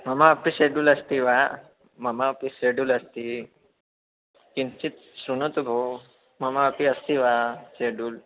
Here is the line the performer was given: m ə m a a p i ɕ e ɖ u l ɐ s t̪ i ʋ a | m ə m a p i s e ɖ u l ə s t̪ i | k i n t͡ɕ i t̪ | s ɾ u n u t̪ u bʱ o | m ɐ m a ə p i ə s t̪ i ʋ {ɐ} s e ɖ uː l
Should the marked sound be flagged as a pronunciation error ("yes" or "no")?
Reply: yes